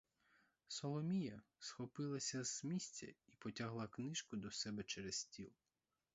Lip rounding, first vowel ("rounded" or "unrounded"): rounded